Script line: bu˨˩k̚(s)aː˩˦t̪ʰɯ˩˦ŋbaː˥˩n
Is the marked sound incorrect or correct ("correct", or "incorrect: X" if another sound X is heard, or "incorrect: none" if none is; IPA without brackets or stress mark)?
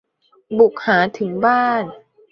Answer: incorrect: h